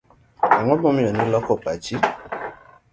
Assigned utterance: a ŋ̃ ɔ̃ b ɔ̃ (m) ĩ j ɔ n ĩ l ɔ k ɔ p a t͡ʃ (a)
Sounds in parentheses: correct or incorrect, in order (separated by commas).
correct, incorrect